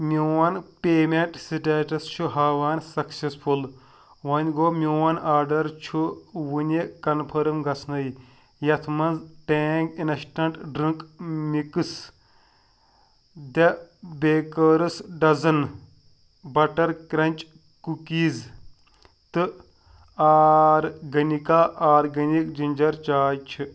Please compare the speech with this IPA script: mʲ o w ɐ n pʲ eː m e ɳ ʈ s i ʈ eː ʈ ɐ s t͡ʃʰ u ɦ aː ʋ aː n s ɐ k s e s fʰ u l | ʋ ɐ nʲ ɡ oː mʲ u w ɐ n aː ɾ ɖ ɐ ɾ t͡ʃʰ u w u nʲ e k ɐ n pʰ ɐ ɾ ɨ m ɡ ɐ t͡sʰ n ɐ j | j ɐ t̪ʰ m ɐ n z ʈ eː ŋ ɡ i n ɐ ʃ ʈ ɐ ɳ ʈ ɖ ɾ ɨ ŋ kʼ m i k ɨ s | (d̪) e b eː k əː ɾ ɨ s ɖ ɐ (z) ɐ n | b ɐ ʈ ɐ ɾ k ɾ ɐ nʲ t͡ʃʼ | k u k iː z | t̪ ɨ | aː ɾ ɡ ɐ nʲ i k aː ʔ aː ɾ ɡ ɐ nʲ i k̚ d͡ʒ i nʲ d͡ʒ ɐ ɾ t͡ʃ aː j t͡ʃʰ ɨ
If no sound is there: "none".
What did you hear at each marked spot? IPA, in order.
d̪, z

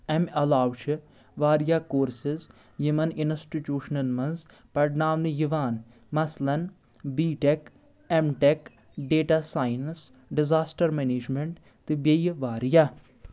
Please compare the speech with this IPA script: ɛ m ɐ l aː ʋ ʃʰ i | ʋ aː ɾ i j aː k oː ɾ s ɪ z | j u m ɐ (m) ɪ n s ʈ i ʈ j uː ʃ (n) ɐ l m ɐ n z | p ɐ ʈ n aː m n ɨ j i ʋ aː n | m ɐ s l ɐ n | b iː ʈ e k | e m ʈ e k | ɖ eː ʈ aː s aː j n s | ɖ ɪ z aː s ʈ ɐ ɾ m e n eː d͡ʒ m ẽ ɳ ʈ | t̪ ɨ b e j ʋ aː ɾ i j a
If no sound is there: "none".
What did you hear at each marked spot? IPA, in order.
n, n

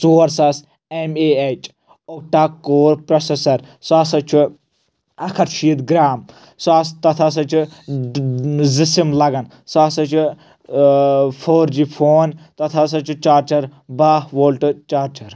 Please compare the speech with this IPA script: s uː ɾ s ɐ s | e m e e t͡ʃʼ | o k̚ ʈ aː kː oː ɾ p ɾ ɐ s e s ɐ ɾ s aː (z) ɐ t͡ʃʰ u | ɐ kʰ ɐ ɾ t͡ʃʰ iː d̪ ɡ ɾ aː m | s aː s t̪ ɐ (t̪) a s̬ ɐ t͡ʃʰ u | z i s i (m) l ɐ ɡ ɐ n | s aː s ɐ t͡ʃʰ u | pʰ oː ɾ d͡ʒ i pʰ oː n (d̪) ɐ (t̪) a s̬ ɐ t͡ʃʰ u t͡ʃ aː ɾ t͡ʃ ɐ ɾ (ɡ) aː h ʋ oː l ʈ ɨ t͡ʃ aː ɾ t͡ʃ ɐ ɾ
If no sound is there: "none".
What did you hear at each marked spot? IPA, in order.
s, t̪ʰ, m, t̪, t̪ʰ, b

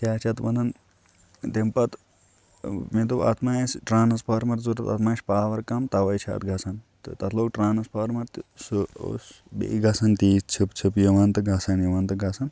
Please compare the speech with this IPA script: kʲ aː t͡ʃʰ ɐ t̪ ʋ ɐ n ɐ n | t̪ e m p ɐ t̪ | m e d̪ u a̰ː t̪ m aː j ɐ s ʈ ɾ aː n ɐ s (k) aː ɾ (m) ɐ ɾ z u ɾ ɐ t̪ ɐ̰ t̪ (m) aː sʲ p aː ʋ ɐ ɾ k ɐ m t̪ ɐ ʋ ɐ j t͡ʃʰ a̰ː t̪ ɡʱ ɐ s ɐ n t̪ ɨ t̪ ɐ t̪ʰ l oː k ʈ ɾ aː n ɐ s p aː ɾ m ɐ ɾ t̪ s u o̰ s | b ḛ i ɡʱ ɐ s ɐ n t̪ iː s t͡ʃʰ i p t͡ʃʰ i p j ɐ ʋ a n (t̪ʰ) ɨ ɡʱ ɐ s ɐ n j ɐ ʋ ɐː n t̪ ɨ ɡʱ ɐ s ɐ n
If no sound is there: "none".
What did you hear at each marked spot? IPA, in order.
p, m, m, t̪

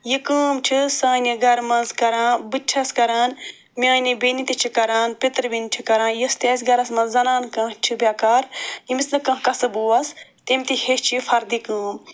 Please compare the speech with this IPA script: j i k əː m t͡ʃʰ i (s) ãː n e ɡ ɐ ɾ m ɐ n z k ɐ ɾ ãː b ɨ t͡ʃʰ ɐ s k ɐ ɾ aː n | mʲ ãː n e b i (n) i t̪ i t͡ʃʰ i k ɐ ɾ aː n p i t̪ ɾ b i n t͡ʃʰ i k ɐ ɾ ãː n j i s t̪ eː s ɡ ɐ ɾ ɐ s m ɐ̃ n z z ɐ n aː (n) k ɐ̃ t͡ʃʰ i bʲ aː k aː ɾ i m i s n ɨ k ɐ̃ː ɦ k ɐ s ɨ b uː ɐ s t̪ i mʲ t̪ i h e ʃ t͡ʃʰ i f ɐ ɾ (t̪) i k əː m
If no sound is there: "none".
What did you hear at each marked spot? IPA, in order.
s, n, n, d̪

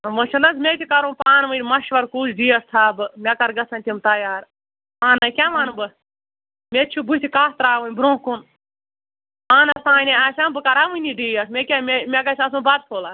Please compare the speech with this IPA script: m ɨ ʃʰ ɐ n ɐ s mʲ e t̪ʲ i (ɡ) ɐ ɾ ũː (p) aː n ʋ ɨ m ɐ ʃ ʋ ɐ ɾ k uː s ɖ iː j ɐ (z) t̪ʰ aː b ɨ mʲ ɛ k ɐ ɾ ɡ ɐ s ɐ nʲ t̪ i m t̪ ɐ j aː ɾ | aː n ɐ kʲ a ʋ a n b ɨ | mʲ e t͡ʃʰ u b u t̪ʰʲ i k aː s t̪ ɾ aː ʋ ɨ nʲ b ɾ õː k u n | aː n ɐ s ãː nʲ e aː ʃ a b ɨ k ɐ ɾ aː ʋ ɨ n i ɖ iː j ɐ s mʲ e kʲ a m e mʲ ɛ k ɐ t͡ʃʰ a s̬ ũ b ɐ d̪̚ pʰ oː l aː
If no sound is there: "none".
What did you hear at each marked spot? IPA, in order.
k, p, s

